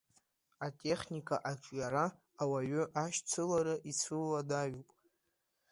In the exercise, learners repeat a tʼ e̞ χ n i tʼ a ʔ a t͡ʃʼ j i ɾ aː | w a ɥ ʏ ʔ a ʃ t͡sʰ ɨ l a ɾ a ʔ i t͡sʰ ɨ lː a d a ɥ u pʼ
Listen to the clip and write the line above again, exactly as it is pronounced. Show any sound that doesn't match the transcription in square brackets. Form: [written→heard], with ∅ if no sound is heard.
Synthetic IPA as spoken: a tʼ e̞ χ n i [tʼ→kʼ] a ʔ a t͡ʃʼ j [i→a] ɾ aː | w a ɥ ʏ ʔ a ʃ t͡sʰ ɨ l a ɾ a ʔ i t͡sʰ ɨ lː a d a ɥ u pʼ